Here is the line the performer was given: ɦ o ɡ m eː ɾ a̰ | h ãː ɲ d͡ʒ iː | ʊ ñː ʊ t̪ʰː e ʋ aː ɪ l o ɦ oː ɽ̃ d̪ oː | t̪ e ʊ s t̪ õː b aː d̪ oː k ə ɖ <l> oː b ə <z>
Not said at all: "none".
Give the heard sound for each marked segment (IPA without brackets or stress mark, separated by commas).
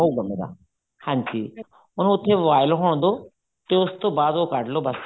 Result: l, s